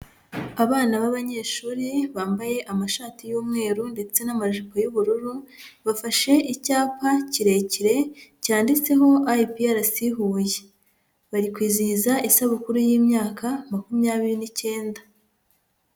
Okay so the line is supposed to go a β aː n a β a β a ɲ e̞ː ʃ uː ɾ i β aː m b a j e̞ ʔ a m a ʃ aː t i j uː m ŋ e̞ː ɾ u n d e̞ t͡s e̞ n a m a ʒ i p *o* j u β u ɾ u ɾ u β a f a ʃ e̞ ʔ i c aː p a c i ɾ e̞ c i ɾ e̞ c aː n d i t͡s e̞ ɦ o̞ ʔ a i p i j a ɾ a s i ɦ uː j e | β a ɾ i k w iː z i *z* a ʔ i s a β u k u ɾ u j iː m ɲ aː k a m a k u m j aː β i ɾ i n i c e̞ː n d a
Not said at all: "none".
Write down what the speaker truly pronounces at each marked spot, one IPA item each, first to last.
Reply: o, z

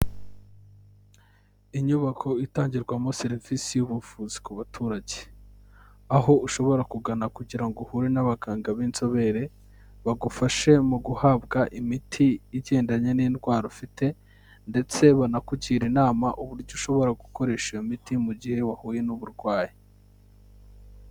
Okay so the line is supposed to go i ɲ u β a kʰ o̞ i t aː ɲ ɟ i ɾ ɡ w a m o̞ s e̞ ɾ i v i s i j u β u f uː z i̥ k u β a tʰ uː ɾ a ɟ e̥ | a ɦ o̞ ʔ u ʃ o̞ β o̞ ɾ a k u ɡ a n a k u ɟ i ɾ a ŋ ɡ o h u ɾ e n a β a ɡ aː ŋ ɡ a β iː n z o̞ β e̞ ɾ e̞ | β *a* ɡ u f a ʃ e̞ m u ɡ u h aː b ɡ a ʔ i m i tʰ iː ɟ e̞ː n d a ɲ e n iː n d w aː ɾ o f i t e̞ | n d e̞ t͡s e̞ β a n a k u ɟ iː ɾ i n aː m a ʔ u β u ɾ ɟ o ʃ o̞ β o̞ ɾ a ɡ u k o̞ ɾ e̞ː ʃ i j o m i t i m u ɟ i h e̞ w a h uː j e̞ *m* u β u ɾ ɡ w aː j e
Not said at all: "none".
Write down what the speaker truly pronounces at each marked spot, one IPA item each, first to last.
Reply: a, n

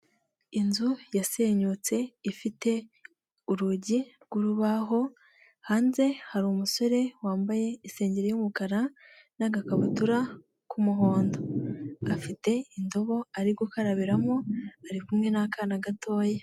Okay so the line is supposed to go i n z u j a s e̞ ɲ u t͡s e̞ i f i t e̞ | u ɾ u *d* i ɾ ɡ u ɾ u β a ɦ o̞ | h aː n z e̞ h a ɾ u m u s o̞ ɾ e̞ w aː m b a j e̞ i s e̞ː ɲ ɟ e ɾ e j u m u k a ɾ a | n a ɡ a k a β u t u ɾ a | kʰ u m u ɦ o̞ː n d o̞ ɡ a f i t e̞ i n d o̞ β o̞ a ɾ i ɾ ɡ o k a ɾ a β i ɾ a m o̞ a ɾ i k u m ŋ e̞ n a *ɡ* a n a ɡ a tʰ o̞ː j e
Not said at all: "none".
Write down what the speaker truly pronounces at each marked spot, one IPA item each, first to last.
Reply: ɟ, k

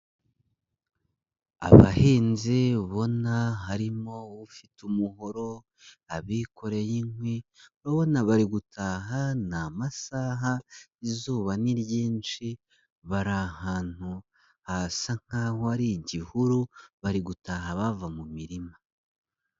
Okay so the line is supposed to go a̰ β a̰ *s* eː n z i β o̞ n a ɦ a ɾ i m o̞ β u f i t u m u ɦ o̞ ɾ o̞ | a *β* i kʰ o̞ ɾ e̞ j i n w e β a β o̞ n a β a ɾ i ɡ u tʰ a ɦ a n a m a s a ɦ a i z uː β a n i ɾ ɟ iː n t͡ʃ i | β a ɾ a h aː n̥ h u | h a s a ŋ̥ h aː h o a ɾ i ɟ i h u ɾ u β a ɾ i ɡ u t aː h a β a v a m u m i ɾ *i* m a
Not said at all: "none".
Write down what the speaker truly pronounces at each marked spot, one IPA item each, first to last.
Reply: h, β, i

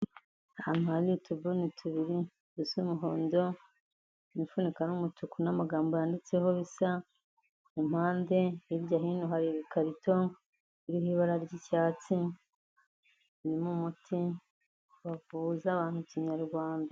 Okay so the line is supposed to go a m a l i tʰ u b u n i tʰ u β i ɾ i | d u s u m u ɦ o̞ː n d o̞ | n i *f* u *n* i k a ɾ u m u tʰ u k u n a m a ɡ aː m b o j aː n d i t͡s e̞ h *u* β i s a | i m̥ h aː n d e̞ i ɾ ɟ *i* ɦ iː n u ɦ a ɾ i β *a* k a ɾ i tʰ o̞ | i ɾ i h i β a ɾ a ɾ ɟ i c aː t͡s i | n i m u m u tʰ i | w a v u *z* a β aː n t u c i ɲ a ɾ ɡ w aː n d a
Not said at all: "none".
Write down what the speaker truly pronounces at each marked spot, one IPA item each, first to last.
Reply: f, n, o, a, i, z

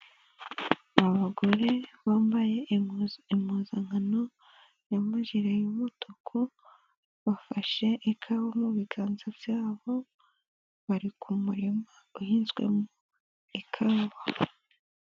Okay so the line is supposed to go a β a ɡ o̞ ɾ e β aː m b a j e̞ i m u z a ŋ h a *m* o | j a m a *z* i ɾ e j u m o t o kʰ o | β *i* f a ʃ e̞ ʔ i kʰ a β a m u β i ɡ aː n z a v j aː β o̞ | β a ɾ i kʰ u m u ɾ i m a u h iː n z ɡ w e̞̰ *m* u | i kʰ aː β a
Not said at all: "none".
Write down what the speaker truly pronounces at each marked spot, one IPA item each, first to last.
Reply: n, ʒ, a, m

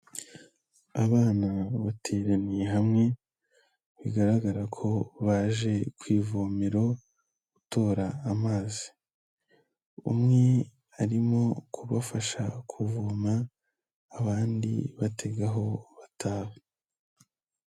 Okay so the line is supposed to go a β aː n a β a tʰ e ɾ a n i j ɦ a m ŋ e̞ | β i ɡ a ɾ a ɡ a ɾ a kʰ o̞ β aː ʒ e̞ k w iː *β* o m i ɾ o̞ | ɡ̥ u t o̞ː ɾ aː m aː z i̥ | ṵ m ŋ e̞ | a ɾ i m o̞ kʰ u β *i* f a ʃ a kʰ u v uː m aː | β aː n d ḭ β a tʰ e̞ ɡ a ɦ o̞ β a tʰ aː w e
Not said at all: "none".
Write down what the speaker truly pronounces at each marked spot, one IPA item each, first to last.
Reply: v, a

